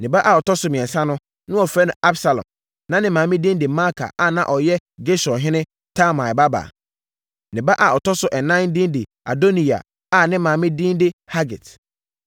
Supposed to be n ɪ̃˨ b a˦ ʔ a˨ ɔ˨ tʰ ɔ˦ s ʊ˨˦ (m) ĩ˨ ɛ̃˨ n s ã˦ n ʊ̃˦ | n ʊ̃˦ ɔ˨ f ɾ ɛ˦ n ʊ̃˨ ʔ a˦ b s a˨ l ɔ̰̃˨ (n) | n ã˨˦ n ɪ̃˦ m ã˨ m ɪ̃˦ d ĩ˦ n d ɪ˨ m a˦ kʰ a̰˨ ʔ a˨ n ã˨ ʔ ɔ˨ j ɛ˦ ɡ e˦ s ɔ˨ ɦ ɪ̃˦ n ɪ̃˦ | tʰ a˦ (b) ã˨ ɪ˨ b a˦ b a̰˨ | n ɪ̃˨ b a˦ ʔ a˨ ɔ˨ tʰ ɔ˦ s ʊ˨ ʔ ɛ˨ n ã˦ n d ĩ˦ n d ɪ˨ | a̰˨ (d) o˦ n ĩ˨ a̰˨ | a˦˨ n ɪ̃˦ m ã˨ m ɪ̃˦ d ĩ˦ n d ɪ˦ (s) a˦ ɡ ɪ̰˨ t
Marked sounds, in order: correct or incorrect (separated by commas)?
correct, incorrect, incorrect, correct, incorrect